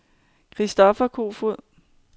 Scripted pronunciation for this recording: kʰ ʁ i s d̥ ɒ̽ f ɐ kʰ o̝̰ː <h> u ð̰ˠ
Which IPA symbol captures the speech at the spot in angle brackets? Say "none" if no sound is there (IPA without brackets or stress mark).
f